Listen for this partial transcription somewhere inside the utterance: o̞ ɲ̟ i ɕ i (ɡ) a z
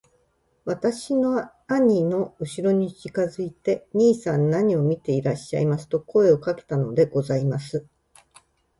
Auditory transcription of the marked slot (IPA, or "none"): k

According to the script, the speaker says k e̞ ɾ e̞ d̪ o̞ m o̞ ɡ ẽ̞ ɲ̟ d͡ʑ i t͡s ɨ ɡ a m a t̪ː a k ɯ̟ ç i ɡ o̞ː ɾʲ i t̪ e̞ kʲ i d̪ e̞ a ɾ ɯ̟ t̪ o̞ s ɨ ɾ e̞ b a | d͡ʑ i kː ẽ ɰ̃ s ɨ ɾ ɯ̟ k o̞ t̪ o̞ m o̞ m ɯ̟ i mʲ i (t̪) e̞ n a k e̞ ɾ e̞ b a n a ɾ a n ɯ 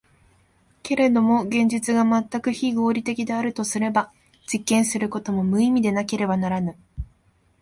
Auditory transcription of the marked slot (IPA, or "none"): d̪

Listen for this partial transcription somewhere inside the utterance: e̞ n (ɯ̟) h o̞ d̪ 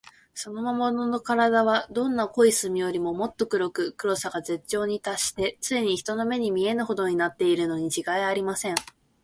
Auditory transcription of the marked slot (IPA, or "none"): ɯ̟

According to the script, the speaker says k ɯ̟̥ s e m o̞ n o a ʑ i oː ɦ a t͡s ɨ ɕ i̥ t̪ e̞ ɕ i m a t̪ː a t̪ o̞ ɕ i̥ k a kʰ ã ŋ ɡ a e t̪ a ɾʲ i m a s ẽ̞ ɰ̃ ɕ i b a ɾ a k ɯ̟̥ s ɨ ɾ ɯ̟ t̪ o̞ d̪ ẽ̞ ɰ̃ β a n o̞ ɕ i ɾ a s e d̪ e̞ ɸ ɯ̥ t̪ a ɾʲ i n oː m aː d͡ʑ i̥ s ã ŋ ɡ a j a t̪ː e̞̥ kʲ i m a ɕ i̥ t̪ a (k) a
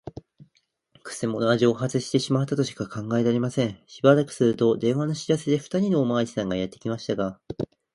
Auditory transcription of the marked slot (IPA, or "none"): ɡ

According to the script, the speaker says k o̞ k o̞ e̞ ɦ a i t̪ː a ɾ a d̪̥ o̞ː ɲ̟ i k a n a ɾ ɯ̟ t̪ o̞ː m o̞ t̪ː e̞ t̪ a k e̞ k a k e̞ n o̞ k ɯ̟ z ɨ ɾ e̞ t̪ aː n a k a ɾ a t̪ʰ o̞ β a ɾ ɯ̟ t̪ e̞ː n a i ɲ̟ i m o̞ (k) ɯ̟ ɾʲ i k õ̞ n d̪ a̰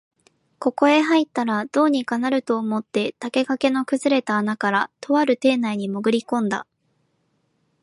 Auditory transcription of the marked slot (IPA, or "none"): ɡ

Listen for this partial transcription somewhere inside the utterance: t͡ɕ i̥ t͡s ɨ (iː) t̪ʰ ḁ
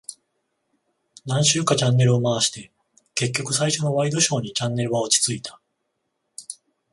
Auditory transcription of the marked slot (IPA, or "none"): i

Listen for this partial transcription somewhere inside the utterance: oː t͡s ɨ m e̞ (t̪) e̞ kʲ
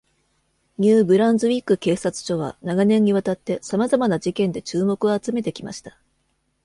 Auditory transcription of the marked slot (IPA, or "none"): t̪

